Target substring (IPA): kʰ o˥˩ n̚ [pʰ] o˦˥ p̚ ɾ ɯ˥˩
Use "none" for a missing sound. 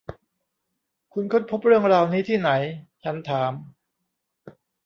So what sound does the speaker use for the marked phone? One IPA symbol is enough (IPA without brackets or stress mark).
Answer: pʰ